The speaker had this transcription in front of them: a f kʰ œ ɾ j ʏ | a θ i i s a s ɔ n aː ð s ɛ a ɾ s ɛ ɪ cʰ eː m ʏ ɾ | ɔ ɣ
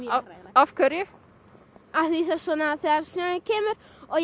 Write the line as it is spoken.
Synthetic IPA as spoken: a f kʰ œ ɾ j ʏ | a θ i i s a s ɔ n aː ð θ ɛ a ɾ s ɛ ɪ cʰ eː m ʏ ɾ | ɔ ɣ